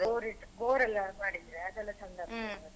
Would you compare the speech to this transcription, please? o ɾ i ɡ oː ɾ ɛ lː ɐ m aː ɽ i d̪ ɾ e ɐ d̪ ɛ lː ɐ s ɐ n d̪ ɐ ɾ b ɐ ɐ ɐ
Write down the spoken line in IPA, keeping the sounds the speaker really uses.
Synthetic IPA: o ɾ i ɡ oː ɾ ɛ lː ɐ m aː ɽ i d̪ ɾ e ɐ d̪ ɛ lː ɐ s ɐ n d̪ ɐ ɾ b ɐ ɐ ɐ